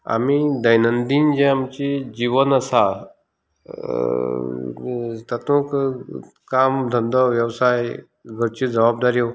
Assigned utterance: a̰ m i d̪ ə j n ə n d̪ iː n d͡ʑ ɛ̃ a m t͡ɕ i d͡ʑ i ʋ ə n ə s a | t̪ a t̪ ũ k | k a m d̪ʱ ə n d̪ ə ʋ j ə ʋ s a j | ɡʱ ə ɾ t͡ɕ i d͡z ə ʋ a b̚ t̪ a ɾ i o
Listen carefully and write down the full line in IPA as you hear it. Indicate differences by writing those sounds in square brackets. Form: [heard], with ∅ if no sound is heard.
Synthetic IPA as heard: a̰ m i d̪ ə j n ə n d̪ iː n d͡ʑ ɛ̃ a m t͡ɕ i d͡ʑ i ʋ ə n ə s a | t̪ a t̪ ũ k | k a m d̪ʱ ə n d̪ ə ʋ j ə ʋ s a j | ɡʱ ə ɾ t͡ɕ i d͡z ə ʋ a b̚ [d̪] a ɾ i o